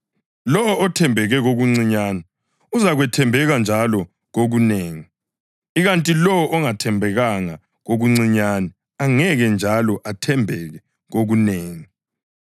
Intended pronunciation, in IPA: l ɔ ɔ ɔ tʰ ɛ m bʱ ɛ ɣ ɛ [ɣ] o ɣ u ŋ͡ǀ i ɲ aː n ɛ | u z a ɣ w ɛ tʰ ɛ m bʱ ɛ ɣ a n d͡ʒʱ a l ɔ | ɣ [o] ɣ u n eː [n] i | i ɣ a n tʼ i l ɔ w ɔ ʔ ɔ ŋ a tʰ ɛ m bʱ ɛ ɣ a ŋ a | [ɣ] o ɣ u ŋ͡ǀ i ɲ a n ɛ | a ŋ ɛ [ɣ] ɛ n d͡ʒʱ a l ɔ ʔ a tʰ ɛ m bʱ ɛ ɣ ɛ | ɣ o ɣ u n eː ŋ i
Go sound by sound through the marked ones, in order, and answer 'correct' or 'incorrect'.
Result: correct, correct, incorrect: ŋ, correct, correct

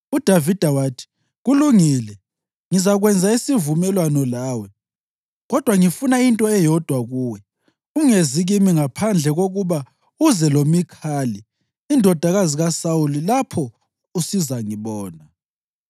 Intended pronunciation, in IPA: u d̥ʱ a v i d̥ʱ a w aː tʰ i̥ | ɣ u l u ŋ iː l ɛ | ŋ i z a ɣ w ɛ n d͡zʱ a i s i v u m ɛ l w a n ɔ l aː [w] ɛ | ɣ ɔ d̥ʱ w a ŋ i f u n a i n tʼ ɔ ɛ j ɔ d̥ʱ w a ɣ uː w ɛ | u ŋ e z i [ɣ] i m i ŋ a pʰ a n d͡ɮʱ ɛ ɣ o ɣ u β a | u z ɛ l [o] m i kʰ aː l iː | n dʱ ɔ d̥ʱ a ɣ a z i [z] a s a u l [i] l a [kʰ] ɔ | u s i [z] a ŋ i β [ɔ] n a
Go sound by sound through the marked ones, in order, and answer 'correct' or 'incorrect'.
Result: correct, correct, correct, incorrect: ɣ, correct, incorrect: pʰ, correct, incorrect: ɔː

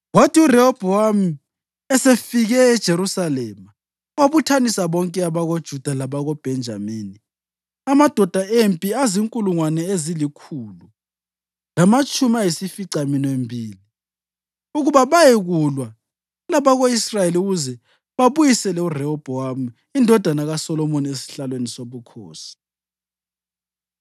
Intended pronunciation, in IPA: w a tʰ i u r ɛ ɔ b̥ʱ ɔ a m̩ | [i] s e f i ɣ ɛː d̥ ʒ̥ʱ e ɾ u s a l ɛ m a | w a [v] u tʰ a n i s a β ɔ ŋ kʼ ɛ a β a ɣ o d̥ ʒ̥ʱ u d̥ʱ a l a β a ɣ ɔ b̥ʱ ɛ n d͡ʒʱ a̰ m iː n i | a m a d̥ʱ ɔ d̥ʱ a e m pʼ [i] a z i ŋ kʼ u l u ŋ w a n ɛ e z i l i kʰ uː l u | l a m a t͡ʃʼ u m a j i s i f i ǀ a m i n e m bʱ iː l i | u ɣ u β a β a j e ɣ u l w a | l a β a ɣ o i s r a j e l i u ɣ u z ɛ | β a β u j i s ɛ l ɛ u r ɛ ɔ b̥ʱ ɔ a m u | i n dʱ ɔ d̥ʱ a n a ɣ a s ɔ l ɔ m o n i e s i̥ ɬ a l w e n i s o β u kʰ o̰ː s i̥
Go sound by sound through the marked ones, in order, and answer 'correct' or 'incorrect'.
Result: incorrect: ɛ, incorrect: β, correct

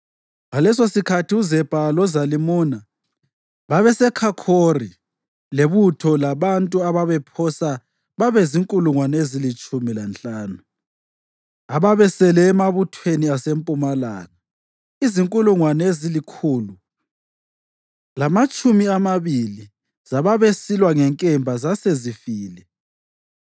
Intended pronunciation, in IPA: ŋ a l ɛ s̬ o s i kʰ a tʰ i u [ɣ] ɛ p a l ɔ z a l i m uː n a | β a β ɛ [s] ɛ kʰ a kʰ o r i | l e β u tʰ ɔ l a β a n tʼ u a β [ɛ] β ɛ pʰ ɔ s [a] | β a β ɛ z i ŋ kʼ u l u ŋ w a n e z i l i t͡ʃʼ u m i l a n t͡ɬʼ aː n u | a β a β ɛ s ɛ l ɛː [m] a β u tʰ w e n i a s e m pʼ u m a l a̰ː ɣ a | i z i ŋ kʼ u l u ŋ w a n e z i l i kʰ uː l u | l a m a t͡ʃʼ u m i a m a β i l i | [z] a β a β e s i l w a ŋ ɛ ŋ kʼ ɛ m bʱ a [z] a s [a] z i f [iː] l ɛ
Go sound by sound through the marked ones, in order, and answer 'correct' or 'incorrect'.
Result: incorrect: z, correct, incorrect: a, correct, correct, correct, correct, incorrect: e, correct

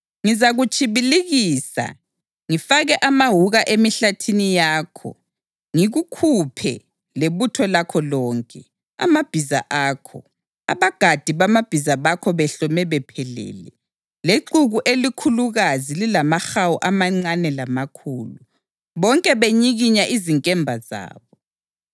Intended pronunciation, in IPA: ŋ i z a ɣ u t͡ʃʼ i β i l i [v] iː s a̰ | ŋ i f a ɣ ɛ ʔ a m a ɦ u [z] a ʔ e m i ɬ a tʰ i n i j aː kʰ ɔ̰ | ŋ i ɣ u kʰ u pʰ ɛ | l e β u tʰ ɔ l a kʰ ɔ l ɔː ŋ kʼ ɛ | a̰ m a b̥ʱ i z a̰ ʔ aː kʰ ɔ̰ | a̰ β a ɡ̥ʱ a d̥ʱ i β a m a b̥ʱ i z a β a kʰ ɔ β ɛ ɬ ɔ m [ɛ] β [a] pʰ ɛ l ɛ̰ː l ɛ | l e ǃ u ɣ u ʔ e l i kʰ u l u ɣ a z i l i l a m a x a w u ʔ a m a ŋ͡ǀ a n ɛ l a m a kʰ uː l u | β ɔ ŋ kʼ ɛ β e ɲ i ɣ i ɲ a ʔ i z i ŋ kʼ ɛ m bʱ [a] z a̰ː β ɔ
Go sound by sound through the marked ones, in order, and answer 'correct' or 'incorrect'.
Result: incorrect: ɣ, incorrect: ɣ, correct, incorrect: ɛ, correct

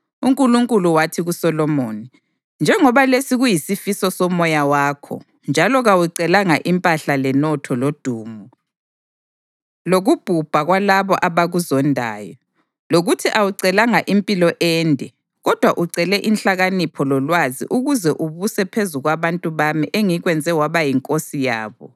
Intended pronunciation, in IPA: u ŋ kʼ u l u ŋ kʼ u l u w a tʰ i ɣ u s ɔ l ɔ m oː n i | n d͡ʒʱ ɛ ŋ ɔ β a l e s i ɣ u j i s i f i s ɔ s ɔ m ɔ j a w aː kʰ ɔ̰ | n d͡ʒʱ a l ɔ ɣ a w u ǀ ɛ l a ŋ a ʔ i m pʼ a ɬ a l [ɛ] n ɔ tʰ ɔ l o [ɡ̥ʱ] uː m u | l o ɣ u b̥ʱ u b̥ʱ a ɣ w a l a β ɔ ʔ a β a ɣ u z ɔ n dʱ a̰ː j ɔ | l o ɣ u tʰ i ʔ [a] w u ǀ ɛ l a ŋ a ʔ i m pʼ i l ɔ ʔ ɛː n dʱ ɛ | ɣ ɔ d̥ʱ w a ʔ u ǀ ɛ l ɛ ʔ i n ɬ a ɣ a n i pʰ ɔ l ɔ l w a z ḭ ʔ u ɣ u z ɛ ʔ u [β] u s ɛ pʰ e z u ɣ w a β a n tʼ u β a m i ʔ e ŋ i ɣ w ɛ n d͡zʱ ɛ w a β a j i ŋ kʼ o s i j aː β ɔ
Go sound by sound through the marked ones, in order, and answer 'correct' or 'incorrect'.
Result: correct, incorrect: d̥ʱ, correct, correct

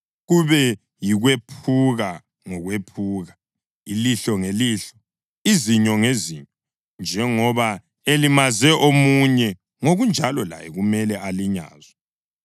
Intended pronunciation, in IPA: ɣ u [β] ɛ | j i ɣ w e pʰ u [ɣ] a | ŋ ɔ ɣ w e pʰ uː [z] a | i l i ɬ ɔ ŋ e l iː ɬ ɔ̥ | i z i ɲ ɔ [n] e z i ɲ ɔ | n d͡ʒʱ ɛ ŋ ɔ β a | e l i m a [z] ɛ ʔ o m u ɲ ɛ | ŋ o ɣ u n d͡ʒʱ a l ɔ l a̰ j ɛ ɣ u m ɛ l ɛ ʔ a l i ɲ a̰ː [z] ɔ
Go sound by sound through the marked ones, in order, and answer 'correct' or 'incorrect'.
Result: correct, correct, incorrect: ɣ, incorrect: ŋ, correct, correct

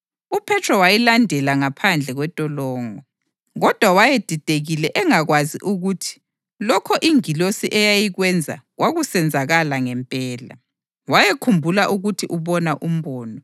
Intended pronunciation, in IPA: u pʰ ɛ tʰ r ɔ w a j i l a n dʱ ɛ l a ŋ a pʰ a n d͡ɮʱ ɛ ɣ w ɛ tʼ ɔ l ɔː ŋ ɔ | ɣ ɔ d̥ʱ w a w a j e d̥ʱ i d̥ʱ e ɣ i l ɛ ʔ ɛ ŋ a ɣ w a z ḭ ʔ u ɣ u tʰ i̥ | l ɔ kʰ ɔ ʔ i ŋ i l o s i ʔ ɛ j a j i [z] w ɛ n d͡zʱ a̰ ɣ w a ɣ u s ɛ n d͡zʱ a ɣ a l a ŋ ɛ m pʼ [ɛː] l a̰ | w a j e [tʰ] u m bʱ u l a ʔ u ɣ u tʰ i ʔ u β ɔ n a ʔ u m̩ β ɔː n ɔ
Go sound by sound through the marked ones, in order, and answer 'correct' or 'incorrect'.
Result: incorrect: ɣ, correct, incorrect: kʰ

